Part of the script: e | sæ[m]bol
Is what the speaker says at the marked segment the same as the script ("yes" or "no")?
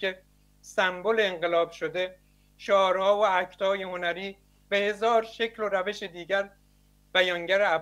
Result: yes